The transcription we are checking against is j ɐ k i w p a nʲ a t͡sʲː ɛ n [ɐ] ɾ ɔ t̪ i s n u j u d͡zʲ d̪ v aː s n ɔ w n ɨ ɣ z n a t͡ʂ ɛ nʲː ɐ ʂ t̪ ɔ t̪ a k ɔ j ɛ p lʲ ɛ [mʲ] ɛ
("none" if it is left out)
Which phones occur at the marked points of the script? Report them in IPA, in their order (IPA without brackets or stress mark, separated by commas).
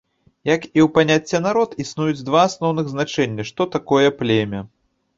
a, mʲ